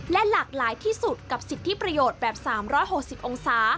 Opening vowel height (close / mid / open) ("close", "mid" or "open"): mid